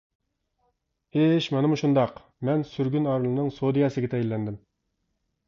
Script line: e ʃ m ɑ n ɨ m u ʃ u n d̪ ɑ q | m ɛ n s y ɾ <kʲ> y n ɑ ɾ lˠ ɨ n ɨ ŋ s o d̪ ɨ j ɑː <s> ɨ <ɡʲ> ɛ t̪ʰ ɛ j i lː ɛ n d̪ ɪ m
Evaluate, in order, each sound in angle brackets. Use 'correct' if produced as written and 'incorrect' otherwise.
incorrect, correct, correct

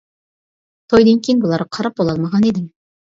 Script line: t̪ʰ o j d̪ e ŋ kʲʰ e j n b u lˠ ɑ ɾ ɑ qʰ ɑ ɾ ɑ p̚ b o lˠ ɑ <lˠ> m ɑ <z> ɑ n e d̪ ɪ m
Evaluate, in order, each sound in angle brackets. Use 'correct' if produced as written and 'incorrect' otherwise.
correct, incorrect

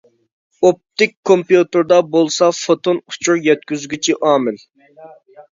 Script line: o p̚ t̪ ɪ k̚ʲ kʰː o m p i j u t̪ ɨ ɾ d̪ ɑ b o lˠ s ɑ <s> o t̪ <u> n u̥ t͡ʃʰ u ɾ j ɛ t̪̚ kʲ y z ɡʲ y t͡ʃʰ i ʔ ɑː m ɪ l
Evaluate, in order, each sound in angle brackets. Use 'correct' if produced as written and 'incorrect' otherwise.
incorrect, incorrect

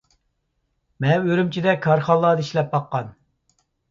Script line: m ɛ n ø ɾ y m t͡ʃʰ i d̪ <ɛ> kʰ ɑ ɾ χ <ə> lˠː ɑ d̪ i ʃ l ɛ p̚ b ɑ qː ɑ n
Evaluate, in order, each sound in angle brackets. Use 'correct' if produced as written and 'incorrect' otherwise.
correct, incorrect

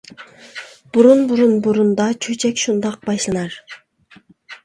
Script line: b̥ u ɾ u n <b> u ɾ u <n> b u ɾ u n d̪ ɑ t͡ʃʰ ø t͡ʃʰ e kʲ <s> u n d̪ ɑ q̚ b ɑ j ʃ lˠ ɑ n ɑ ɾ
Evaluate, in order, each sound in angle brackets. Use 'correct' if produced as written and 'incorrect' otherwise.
correct, correct, incorrect

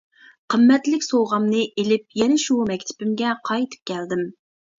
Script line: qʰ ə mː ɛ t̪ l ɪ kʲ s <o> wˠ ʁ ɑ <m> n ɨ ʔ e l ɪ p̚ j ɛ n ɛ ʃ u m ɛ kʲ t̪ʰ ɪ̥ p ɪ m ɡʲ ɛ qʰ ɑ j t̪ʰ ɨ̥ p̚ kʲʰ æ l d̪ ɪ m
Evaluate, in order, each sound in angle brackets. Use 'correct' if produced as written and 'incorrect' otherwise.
correct, correct

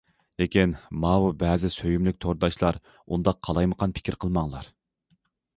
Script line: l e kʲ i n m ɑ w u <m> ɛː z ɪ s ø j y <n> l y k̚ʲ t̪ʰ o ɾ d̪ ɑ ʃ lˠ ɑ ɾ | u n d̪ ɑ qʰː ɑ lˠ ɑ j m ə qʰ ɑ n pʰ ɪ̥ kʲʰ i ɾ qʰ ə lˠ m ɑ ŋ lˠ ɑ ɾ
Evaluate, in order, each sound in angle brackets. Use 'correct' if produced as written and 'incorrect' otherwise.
incorrect, incorrect

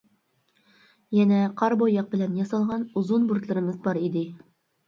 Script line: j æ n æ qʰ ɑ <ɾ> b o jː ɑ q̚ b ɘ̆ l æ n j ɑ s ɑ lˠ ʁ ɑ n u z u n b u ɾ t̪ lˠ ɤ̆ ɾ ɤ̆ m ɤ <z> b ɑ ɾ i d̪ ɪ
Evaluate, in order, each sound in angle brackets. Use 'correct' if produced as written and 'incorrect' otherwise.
correct, correct

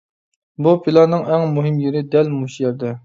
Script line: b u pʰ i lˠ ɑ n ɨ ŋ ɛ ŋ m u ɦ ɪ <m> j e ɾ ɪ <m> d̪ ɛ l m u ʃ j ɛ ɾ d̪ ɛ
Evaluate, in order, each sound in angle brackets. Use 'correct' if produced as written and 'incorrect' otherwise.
correct, incorrect

